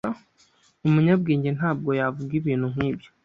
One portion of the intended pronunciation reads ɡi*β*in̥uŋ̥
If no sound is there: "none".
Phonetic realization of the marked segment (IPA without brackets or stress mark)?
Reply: β